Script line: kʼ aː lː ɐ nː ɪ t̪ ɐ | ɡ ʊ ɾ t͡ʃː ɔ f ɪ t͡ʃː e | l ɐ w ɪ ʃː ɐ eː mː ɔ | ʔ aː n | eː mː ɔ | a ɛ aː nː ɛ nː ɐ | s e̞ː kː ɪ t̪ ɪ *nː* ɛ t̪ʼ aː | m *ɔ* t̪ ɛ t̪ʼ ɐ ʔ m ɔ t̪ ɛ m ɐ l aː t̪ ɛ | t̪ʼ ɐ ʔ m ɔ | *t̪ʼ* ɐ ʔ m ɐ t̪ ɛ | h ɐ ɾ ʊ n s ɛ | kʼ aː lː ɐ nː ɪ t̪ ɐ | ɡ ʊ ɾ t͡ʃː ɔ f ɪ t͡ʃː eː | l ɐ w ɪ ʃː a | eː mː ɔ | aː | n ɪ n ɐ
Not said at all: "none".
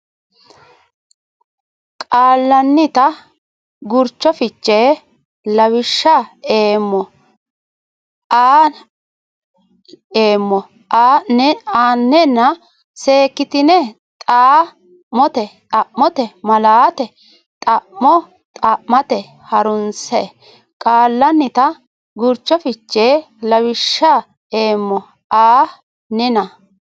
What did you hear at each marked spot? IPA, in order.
n, ɔ, t̪ʼ

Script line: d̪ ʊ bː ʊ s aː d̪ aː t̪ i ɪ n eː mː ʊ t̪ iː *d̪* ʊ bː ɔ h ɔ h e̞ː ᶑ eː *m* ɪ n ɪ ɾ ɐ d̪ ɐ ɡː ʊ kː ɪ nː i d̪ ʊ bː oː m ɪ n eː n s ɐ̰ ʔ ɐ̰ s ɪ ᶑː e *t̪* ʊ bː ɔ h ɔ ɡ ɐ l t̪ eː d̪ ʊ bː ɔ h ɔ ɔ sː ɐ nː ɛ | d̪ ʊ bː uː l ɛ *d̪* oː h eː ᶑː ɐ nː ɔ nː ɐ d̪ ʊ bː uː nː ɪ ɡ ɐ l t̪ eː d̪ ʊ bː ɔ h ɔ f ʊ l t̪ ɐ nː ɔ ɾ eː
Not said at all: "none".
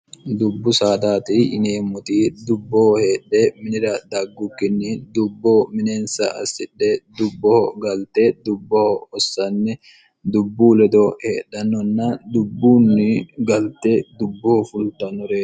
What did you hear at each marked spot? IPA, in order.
d̪, m, d̪, d̪

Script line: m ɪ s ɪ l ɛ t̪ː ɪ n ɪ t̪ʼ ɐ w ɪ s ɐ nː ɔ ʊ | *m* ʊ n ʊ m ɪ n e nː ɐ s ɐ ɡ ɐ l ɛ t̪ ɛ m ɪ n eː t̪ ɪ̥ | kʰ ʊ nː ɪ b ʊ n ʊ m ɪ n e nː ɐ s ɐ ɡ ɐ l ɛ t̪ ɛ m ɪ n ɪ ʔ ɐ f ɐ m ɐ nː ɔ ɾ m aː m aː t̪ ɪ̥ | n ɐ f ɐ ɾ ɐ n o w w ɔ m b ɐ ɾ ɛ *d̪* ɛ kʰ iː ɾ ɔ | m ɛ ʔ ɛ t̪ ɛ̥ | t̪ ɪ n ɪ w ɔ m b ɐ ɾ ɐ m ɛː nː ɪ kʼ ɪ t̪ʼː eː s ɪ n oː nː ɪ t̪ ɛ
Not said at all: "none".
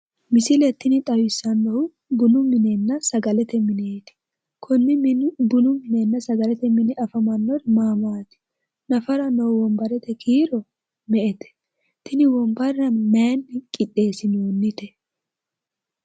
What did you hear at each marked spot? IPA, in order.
b, t̪

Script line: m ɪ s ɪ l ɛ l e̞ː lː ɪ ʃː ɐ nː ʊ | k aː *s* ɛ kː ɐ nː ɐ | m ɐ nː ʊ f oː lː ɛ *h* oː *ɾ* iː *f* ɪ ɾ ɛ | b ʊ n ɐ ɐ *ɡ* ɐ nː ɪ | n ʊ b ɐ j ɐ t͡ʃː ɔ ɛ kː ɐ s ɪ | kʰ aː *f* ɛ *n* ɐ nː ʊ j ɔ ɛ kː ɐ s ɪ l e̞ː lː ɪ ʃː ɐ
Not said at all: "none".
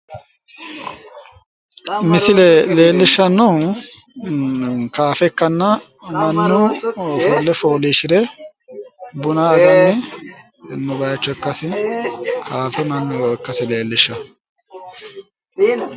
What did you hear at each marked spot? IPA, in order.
f, f, l, ʃ, ɡ, f, m

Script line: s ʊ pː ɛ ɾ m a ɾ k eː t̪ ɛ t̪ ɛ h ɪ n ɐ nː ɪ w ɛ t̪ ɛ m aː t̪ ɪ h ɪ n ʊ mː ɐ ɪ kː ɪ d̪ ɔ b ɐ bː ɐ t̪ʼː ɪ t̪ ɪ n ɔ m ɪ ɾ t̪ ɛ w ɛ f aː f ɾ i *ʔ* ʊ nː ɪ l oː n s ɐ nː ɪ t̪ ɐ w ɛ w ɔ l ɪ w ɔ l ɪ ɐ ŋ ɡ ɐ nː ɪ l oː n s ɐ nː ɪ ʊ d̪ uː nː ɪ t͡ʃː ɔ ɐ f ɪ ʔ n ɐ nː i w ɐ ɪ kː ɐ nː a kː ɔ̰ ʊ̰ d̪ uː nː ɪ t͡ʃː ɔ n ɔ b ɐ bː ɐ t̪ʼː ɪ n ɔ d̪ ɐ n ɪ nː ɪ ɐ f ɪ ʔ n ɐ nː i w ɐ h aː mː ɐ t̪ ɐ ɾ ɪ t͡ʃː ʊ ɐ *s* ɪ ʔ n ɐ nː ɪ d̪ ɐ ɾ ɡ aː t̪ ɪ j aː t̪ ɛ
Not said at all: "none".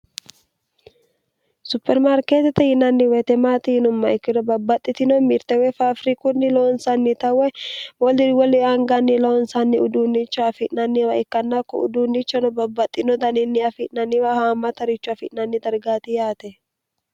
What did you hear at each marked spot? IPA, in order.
k, f

